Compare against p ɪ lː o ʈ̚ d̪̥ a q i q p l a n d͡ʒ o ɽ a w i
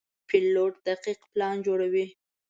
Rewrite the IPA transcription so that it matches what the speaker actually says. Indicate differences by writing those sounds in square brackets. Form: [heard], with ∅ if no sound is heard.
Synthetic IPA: p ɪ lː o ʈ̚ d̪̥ a q i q p l [ɑ] n d͡ʒ o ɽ a w i